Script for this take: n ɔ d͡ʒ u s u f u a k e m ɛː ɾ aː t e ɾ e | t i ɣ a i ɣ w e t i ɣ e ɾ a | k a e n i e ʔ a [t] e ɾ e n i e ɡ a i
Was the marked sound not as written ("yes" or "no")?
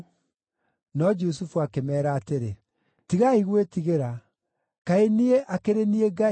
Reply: yes